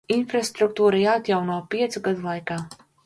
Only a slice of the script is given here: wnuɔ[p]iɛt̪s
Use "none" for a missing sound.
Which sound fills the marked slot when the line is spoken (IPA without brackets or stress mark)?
p